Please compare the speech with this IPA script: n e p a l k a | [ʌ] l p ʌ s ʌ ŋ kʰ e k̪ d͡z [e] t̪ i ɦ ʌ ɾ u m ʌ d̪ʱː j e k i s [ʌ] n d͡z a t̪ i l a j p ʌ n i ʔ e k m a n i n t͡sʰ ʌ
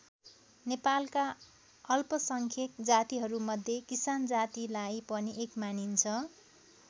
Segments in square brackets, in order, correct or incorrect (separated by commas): correct, incorrect, incorrect